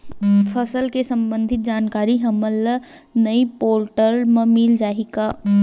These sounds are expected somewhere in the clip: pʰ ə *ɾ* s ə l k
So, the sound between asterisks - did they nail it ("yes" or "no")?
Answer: no